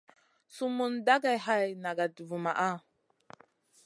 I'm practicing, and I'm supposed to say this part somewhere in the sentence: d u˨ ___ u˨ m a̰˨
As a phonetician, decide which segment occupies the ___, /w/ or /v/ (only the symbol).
v